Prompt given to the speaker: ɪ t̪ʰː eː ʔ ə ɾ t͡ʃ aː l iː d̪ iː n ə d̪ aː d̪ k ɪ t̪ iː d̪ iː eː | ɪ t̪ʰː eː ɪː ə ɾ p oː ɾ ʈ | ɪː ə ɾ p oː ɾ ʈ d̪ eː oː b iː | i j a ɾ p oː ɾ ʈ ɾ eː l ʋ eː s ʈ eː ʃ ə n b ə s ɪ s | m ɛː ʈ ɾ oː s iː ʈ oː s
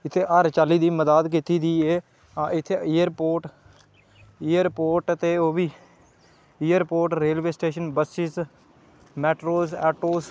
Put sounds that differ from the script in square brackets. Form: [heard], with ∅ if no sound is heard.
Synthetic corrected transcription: ɪ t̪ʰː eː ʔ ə ɾ t͡ʃ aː l iː d̪ iː [m] ə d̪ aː d̪ k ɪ t̪ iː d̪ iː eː | ɪ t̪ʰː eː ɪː ə ɾ p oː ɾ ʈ | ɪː ə ɾ p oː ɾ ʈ [t̪] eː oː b iː | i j [ə] ɾ p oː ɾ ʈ ɾ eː l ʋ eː s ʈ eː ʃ ə n b ə s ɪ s | m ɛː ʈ ɾ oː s [ɛː] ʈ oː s